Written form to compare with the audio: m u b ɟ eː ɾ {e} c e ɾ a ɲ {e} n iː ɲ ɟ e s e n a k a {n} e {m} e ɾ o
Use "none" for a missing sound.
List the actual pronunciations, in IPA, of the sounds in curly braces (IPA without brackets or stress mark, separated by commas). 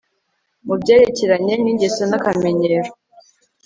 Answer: e, e, m, ɲ